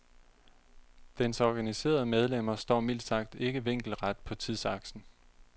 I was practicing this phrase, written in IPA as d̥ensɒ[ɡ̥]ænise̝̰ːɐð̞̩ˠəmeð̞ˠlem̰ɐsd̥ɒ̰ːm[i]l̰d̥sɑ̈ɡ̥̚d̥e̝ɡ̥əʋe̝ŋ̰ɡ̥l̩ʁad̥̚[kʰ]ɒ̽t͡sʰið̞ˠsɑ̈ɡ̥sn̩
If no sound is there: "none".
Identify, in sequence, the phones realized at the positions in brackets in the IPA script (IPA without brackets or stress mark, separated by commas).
ɡ̥, i, pʰ